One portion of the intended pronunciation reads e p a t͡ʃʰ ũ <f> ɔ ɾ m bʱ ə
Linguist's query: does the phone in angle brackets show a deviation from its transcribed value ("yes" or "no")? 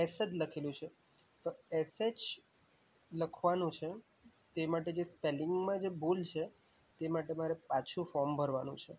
no